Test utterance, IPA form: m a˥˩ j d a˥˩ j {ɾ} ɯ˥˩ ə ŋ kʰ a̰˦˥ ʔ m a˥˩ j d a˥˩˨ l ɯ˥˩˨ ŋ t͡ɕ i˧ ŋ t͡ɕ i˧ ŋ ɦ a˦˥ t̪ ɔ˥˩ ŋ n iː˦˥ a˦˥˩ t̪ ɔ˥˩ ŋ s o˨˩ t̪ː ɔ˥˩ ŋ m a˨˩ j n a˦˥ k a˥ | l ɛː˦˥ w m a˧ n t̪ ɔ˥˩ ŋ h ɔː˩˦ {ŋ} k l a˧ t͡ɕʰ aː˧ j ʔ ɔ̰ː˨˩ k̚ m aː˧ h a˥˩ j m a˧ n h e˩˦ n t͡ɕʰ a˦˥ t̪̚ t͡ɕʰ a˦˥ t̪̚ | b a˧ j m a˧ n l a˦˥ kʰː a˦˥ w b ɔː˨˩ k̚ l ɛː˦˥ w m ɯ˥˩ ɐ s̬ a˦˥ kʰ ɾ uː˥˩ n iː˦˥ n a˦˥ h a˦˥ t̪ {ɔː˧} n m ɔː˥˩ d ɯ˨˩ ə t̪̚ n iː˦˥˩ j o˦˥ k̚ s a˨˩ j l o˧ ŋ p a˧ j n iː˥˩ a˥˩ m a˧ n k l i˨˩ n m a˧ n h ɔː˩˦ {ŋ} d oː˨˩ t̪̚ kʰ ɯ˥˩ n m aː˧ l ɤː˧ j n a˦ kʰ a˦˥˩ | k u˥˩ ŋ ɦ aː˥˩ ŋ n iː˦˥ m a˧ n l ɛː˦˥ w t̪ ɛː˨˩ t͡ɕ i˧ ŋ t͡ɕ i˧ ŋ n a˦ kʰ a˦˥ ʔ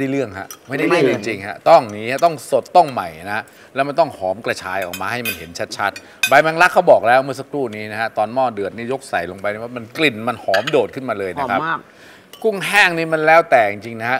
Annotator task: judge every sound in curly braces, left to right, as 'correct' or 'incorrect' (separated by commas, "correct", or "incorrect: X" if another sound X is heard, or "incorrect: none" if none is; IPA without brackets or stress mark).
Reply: incorrect: l, incorrect: m, correct, incorrect: m